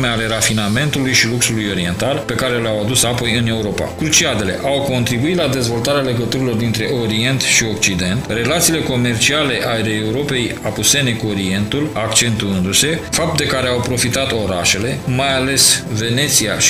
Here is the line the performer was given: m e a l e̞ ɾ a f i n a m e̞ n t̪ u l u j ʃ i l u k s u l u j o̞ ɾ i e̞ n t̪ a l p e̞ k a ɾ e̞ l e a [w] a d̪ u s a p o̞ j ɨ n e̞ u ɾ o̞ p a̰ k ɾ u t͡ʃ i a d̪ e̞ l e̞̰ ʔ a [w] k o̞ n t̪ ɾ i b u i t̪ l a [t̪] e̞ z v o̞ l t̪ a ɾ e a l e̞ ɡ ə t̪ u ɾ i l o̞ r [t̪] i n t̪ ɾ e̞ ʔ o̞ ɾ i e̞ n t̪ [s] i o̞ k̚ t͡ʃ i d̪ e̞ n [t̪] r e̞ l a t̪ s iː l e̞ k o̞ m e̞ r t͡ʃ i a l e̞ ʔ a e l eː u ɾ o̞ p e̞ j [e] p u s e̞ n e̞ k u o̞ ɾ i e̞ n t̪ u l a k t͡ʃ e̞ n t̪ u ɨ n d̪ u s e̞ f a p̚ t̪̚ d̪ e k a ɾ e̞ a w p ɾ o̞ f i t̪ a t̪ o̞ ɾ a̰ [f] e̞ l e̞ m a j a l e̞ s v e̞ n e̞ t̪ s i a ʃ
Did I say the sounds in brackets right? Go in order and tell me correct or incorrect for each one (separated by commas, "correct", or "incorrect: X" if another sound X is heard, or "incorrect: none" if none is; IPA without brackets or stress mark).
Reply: correct, correct, incorrect: d̪, incorrect: d̪, incorrect: ʃ, correct, incorrect: a, incorrect: ʃ